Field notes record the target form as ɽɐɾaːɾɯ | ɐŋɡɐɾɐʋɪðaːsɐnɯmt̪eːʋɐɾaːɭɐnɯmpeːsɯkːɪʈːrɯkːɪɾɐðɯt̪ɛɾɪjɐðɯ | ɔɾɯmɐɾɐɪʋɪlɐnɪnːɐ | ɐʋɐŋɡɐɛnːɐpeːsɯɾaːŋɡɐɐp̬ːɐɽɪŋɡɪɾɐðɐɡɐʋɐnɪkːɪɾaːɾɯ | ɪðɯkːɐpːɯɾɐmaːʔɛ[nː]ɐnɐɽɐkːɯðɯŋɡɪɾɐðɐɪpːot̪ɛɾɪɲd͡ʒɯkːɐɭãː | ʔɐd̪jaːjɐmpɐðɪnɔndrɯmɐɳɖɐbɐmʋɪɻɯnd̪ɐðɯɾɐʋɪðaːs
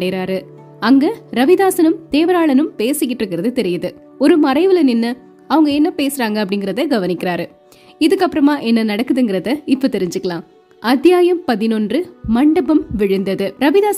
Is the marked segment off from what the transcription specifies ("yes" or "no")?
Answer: no